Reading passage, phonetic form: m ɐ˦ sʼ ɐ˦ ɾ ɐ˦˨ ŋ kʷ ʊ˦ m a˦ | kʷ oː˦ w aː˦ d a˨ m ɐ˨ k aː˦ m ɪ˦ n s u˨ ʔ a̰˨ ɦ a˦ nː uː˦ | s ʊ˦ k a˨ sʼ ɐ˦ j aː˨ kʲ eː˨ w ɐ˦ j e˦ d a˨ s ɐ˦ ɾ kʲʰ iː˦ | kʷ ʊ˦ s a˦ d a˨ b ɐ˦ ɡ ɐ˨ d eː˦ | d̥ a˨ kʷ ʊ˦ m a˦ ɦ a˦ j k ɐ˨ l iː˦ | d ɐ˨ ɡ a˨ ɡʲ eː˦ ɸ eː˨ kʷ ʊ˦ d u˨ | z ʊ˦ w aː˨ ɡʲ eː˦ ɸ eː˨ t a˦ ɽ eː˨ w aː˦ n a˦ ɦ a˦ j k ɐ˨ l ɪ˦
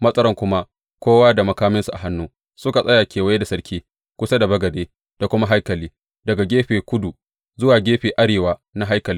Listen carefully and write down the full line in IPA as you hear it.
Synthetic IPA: m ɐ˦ sʼ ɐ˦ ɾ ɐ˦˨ ŋ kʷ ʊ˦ m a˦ | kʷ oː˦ w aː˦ d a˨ m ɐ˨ k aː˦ m ɪ˦ n s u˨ ʔ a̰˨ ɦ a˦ nː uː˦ | s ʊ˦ k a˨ sʼ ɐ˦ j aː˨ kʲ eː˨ w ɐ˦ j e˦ d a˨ s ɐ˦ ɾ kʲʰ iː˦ | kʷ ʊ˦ s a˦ d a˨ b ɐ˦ ɡ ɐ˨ d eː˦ | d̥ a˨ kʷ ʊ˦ m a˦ ɦ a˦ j k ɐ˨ l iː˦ | d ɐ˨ ɡ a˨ ɡʲ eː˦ ɸ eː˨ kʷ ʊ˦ d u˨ | z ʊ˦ w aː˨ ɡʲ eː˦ ɸ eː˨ ʔ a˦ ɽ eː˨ w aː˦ n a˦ ɦ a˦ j k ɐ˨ l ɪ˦